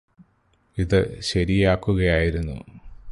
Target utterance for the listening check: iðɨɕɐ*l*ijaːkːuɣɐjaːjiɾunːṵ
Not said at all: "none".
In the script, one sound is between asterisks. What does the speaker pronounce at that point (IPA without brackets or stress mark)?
ɾ